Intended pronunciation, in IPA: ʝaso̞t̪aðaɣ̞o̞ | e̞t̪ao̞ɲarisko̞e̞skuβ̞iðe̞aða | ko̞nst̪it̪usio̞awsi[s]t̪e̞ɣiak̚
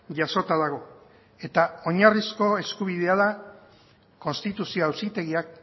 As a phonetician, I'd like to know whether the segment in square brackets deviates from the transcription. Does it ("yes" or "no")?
yes